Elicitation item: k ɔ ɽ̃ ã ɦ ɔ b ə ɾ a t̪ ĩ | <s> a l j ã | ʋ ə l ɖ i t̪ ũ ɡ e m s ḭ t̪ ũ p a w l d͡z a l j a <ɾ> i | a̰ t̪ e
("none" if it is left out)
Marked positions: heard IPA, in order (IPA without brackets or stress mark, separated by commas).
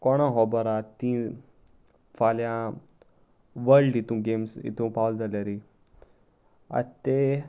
f, ɾ